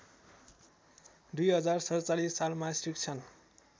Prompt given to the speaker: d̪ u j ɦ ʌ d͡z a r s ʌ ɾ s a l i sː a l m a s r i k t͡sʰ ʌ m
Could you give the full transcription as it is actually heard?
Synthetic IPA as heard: d̪ u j ɦ ʌ d͡z a r s ʌ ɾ t͡s a l i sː a l m a s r i k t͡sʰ ʌ n